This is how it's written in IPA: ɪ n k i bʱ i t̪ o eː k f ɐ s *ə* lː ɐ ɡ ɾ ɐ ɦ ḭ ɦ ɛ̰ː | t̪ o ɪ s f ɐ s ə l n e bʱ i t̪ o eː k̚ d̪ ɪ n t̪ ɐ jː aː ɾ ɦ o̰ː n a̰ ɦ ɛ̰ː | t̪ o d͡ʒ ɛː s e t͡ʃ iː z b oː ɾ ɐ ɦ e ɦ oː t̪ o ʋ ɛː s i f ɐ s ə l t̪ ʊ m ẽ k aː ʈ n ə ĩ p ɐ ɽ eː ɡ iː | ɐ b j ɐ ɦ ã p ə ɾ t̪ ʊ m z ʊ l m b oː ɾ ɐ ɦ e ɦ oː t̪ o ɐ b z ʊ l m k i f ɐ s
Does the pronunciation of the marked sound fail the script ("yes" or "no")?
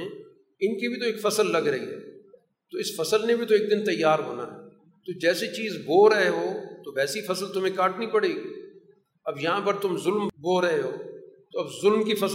no